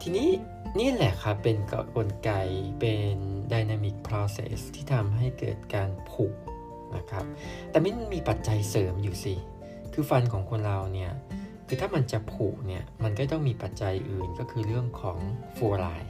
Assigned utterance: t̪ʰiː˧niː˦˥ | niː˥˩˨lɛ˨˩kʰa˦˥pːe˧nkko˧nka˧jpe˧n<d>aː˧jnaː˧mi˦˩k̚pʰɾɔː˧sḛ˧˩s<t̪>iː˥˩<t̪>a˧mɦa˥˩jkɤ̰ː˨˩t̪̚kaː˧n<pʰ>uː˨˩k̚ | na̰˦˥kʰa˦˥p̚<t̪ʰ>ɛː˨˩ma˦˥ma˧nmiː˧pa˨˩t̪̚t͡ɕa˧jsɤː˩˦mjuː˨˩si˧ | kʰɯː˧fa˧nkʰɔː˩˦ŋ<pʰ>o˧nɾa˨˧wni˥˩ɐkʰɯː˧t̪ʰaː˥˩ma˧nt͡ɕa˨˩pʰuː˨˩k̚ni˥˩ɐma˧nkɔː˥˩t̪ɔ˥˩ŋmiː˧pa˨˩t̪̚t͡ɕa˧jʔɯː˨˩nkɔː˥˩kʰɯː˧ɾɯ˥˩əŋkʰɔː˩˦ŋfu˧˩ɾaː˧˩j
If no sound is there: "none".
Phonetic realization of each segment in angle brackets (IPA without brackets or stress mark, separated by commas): d, t̪ʰ, t̪ʰ, pʰ, t̪, kʰ